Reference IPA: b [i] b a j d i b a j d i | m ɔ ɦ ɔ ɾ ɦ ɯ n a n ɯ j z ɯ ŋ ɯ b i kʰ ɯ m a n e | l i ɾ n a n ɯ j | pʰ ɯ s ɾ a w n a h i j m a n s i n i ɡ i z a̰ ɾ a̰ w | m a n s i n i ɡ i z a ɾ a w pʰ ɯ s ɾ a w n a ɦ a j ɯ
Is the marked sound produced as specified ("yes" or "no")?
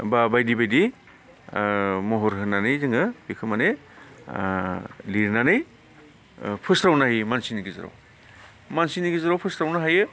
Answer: no